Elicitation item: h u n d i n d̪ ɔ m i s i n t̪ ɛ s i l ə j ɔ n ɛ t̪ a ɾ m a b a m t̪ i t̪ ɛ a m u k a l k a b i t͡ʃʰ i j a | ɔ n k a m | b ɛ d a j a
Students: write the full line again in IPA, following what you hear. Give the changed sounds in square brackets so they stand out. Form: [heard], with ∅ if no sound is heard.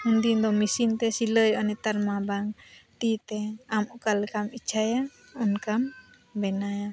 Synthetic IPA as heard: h u n d i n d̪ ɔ m i s i n t̪ ɛ s i l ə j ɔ n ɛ t̪ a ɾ m a b a [ŋ] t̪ i t̪ ɛ a m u k a l k a [m] i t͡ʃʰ [a] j a | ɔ n k a m | b ɛ [n] a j a